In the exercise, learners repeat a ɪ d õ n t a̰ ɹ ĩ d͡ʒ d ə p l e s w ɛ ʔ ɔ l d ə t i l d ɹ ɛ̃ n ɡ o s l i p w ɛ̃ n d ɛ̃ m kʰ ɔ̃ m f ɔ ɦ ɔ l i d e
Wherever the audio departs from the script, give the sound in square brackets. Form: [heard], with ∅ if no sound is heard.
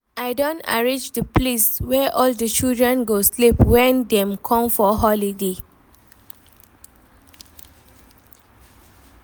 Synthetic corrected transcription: a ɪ d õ n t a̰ ɹ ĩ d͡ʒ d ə p l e s w ɛ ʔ ɔ l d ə [t͡ʃ] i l d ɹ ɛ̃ n ɡ o s l i p w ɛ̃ n d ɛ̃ m kʰ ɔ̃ m f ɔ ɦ ɔ l i d e